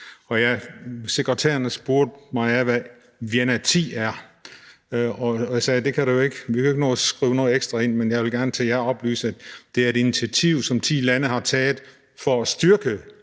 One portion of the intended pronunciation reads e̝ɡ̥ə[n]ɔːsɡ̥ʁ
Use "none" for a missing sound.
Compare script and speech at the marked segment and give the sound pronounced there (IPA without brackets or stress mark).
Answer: n